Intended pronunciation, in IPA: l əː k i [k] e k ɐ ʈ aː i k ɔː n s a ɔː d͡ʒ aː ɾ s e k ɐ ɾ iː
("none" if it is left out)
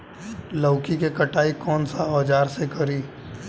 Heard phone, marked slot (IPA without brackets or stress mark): k